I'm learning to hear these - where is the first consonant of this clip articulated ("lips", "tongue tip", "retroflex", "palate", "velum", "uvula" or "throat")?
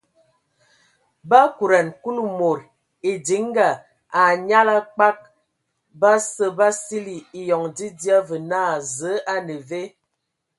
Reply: lips